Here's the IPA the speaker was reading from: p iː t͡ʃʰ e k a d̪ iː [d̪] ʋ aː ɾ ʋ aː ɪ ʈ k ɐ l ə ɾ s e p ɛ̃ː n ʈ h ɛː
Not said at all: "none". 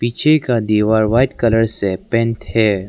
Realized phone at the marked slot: none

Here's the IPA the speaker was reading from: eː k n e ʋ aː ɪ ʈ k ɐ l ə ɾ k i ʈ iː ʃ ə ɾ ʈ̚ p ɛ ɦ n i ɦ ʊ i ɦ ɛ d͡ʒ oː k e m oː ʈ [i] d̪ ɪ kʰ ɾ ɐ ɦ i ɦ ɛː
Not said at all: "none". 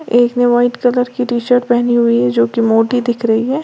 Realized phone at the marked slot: i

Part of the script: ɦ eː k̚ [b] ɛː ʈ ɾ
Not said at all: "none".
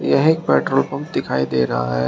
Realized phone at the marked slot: p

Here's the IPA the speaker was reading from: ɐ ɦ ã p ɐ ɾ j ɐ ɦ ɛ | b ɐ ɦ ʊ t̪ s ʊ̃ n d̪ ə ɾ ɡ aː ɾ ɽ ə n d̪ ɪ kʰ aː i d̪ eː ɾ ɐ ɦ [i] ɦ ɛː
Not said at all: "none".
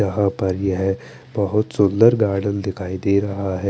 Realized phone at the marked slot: a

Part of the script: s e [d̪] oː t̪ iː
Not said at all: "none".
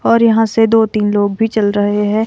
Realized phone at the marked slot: d̪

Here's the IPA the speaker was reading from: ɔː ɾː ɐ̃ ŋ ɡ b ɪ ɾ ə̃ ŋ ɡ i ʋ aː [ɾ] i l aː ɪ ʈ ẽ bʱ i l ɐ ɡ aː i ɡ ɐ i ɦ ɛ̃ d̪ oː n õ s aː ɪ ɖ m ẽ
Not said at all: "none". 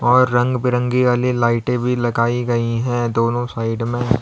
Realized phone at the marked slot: l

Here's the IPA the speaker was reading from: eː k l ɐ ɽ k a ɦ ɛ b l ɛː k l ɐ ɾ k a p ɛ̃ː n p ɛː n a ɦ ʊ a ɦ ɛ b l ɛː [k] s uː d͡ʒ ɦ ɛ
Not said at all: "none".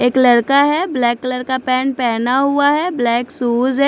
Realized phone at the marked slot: k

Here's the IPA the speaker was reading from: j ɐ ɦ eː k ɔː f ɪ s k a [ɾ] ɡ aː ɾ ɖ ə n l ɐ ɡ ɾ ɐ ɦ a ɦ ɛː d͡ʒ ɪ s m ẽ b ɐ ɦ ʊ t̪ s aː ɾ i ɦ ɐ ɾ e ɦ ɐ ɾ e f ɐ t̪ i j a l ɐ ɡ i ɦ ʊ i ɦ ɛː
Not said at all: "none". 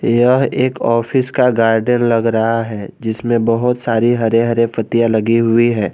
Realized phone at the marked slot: none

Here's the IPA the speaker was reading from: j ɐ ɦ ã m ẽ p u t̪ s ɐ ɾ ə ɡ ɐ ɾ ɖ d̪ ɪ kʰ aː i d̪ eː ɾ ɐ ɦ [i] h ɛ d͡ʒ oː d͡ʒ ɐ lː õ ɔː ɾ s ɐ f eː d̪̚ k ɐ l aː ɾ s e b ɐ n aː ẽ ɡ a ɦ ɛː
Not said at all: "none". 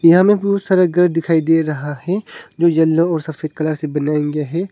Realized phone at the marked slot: a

